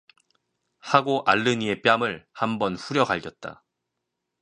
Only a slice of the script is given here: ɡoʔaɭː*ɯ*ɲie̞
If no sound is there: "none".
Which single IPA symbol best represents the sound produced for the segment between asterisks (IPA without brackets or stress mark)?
ɯ